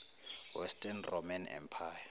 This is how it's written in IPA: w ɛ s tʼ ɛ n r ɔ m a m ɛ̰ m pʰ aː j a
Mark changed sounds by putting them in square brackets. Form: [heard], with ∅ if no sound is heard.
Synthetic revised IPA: w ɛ s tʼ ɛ n r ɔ m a [n] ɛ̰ m pʰ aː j a